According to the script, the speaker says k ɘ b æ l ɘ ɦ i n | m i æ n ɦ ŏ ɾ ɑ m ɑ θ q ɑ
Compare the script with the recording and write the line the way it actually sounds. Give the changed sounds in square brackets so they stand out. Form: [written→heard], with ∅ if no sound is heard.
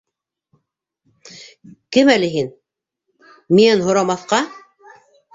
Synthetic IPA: k ɘ [b→m] æ l ɘ ɦ i n | m i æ n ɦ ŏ ɾ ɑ m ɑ θ q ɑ